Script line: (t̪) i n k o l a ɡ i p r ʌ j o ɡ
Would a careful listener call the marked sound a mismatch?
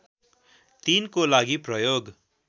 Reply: no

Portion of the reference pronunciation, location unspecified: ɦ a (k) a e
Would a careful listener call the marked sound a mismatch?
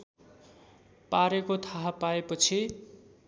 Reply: yes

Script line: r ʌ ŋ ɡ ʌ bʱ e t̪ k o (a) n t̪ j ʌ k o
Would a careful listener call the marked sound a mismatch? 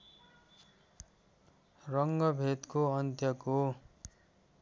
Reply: yes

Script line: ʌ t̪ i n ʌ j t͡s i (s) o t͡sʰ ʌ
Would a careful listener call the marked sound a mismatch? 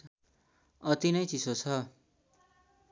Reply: no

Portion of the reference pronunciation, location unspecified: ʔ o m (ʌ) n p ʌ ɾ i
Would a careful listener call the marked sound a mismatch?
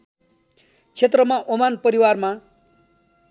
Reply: yes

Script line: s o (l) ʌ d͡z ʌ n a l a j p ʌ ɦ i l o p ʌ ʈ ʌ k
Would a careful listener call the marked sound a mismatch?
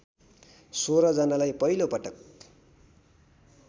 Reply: yes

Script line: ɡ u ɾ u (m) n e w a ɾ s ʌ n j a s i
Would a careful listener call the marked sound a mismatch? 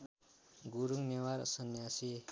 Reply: yes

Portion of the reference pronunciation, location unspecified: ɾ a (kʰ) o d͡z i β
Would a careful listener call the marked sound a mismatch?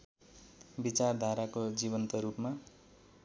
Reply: yes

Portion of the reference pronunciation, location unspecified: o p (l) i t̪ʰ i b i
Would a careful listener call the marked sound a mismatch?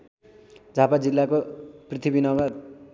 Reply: yes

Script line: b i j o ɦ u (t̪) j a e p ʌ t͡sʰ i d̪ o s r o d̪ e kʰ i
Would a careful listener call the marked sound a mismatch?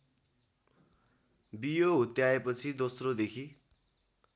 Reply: no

